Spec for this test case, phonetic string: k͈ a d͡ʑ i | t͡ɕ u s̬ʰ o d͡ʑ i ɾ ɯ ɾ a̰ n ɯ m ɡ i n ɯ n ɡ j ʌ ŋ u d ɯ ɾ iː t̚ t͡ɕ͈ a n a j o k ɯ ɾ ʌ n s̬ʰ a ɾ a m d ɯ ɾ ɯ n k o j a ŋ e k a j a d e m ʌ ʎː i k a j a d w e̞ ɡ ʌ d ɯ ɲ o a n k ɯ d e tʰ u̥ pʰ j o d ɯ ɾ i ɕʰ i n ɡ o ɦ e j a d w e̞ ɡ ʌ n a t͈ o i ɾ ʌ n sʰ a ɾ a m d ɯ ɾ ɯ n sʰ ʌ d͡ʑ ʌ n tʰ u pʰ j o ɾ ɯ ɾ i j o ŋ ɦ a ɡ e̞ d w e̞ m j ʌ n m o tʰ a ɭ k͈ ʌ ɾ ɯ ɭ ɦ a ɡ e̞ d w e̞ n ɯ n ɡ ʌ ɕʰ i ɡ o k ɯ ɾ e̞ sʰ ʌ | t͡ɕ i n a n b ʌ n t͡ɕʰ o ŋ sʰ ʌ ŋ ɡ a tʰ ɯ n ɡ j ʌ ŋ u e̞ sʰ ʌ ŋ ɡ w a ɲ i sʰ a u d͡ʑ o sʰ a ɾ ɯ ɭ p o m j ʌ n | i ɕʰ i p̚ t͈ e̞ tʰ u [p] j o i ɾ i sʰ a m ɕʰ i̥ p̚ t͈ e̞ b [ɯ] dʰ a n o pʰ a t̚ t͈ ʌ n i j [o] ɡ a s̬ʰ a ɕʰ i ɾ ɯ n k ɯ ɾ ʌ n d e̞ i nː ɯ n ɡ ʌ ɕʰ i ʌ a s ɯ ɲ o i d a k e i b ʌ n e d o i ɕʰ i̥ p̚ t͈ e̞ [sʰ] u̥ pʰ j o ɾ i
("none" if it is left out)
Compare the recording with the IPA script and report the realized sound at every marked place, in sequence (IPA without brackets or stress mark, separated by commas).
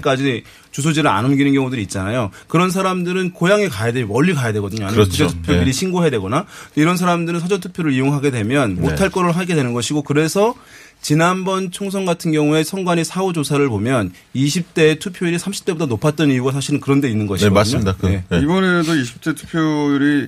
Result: pʰ, u, u, tʰ